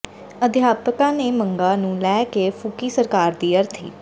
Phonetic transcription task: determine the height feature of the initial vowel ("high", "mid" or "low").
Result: mid